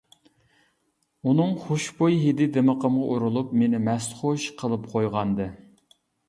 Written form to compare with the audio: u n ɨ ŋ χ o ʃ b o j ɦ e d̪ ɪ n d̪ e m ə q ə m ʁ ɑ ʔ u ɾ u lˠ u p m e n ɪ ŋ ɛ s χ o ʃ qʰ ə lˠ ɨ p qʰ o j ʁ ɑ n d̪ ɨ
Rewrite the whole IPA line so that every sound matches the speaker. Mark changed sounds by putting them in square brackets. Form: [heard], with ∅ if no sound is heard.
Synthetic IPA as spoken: u n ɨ ŋ χ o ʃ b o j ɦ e d̪ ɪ [∅] d̪ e m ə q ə m ʁ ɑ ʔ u ɾ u lˠ u p m e n ɪ [m] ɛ s χ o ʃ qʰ ə lˠ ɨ p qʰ o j ʁ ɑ n d̪ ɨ